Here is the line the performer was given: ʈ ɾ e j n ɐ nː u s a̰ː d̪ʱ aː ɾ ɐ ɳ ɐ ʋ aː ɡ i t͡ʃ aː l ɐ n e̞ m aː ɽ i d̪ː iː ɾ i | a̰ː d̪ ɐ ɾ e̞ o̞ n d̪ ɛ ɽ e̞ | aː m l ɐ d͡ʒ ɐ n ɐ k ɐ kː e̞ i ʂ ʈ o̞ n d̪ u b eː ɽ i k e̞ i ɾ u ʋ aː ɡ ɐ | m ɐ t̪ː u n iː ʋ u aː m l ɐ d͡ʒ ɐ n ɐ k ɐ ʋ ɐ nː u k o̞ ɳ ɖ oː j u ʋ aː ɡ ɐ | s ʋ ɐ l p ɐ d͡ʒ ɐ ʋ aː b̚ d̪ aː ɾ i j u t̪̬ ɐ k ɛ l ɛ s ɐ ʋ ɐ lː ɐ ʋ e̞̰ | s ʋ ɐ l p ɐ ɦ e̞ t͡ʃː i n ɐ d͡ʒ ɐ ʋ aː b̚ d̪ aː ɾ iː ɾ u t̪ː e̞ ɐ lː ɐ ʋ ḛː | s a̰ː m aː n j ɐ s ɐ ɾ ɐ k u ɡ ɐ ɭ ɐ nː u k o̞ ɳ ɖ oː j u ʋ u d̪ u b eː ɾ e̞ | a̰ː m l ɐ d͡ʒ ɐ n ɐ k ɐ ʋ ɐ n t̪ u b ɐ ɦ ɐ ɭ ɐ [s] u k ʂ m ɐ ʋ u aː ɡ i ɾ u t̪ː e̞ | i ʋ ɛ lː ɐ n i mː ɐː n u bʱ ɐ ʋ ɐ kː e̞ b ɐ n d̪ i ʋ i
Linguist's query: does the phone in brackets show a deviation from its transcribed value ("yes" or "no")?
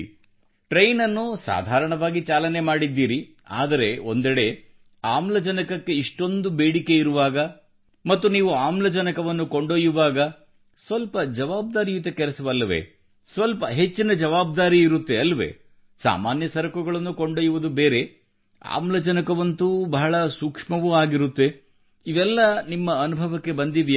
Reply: no